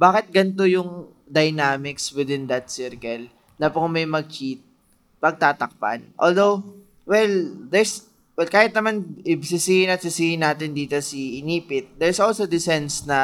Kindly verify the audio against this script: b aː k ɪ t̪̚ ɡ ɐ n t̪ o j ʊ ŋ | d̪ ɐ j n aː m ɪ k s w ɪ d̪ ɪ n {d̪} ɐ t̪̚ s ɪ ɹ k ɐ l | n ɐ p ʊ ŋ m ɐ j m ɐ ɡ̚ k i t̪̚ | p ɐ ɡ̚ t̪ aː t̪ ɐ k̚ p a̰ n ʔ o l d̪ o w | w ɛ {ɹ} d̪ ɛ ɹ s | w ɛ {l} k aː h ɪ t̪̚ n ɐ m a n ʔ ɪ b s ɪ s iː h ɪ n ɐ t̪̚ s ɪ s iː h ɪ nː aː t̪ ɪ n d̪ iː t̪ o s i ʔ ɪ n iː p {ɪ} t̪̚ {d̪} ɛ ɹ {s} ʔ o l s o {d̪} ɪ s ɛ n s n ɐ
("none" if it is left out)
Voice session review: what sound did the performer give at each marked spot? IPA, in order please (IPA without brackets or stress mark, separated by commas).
d̪, l, l, ɪ, d̪, s, d̪